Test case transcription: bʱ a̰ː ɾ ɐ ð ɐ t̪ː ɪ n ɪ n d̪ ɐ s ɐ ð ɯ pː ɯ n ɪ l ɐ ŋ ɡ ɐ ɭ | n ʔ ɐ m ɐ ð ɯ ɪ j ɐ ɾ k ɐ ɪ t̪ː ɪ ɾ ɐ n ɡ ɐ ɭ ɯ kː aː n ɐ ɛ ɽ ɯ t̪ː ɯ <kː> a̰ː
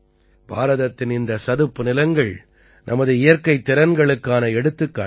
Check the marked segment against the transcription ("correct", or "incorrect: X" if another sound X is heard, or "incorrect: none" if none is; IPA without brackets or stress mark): correct